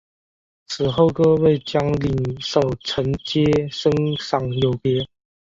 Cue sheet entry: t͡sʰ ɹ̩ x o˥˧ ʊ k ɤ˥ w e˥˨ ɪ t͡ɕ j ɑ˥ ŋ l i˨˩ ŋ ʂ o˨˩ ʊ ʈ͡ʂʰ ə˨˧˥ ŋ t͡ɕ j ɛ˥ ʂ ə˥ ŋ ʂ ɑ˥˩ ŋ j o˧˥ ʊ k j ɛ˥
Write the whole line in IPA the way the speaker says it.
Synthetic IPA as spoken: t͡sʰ ɹ̩ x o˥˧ ʊ k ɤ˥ w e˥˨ ɪ t͡ɕ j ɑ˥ ŋ l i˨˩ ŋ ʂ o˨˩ ʊ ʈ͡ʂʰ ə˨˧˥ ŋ t͡ɕ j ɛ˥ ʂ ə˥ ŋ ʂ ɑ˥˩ ŋ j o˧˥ ʊ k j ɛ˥